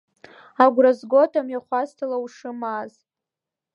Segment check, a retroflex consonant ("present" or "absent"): present